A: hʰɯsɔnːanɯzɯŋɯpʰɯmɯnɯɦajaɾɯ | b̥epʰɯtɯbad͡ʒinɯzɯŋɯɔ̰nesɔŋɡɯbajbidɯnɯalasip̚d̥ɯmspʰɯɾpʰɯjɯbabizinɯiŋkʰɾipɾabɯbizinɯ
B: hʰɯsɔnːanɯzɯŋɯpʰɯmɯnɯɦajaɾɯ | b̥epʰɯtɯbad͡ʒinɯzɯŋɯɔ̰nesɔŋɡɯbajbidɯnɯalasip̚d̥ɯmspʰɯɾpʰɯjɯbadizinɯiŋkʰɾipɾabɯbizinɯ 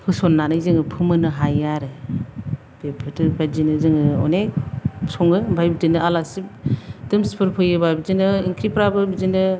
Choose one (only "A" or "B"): A